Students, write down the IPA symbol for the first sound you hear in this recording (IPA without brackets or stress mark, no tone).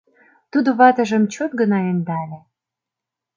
t̪